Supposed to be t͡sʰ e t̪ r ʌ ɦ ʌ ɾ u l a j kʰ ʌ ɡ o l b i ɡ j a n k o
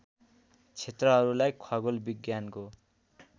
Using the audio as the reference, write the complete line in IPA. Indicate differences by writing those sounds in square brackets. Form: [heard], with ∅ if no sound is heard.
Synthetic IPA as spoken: t͡sʰ e t̪ r ʌ ɦ ʌ ɾ u l a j kʰ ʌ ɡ o l b i ɡ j a n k o

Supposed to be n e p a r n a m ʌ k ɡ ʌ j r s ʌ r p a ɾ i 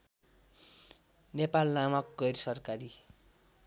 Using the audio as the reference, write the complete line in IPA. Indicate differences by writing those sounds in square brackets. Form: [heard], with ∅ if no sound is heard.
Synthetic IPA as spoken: n e p a [l] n a m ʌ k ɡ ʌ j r s ʌ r [k] a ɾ i

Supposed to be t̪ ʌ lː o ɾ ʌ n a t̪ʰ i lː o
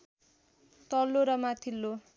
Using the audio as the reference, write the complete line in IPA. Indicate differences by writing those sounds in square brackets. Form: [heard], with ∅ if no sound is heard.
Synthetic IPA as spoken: t̪ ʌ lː o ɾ ʌ [m] a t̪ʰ i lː o

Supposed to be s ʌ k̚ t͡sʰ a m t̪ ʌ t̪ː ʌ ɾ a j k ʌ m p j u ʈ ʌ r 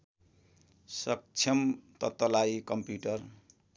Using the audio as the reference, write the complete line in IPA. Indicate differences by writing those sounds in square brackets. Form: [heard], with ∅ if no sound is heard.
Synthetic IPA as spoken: s ʌ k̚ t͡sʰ [ʌ] m t̪ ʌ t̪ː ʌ [l] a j k ʌ m p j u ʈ ʌ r

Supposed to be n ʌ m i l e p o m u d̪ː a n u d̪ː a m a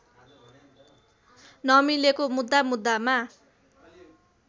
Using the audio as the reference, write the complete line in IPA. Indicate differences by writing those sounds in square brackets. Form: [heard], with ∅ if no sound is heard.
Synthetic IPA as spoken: n ʌ m i l e [k] o m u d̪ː a [m] u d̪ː a m a

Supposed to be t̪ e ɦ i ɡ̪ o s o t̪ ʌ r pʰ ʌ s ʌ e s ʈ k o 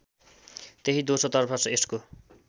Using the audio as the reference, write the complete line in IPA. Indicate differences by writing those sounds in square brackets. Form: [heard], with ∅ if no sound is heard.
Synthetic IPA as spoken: t̪ e ɦ i [d̪] o s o t̪ ʌ r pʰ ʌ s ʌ e s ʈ k o

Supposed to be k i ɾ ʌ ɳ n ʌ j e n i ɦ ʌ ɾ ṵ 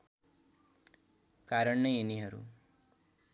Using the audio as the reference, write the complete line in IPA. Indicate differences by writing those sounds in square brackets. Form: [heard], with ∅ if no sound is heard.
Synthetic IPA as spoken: k [a] ɾ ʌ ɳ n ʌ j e n i ɦ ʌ ɾ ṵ

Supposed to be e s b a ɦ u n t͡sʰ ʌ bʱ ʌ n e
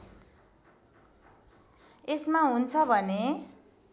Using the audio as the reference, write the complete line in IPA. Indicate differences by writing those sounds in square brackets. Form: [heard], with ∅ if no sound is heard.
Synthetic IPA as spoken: e s [m] a ɦ u n t͡sʰ ʌ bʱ ʌ n e

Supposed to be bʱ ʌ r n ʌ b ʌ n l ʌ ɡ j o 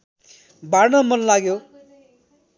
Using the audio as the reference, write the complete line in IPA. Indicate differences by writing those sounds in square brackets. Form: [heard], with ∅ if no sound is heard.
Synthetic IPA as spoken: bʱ [a] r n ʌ [m] ʌ n l [a] ɡ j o

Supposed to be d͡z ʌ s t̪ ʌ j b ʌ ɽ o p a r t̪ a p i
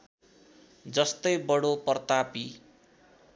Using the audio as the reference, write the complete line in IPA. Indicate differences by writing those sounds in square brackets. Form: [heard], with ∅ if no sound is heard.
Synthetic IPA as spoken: d͡z ʌ s t̪ ʌ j b ʌ ɽ o p [ʌ] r t̪ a p i

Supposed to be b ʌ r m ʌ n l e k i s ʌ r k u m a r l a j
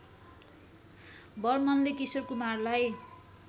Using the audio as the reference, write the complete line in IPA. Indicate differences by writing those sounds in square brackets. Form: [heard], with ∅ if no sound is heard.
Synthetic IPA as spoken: b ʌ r m ʌ n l e k i s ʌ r k u m a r l a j

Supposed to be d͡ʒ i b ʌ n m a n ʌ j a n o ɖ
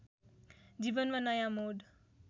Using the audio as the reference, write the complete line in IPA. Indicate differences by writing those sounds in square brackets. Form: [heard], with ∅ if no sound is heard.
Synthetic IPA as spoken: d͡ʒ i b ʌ n m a n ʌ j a [m] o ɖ

